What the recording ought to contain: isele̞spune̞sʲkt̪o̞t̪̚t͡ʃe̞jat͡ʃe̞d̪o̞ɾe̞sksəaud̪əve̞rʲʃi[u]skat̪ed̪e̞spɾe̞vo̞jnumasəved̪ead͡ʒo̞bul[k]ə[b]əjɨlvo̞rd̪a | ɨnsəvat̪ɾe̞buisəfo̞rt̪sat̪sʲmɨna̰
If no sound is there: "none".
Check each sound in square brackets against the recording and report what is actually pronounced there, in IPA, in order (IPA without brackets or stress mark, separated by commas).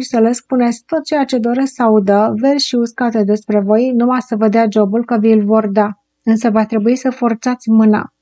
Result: u, k, v